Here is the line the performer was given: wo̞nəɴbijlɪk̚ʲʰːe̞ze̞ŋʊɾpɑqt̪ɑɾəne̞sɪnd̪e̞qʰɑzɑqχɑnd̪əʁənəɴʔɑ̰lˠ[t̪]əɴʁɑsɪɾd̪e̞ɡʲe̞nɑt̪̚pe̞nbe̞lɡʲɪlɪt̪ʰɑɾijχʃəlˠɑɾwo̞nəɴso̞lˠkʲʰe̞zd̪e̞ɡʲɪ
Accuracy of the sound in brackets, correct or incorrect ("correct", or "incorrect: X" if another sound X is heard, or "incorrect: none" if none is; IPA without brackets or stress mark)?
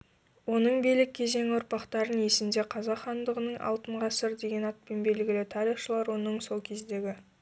correct